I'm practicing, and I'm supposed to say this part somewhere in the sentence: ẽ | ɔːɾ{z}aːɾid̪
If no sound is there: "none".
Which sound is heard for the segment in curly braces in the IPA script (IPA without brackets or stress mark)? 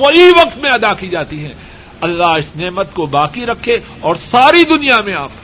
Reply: s